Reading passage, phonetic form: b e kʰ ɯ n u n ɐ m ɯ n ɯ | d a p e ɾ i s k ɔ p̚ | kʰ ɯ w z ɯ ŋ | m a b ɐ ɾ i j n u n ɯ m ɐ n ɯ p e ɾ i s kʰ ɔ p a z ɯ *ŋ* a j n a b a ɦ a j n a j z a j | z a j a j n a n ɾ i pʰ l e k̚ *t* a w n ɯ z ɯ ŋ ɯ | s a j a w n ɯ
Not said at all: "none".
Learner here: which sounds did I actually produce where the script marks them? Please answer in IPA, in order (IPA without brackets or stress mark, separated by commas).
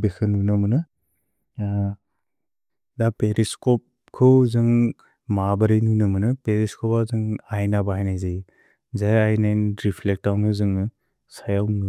ŋ, t